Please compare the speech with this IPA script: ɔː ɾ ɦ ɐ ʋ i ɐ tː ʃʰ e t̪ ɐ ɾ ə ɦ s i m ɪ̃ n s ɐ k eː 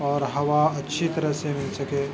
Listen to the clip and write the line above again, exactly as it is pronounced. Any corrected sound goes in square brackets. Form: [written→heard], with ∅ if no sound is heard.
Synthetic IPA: ɔː ɾ ɦ ɐ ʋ [i→a] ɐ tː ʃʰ [e→i] t̪ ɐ ɾ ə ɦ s [i→e] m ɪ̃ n s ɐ k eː